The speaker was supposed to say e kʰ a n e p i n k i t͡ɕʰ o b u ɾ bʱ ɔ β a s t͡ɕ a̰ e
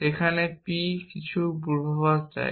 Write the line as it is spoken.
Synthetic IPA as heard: e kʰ a n e p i k i t͡ɕʰ u b u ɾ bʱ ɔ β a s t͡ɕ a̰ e